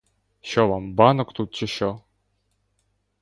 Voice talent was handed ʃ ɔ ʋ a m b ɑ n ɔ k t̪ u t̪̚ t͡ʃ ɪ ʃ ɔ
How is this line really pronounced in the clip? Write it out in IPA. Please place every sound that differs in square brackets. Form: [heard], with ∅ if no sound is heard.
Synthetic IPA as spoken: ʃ ɔ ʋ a m b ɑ n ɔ k t̪ u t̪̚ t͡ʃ ɪ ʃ ɔ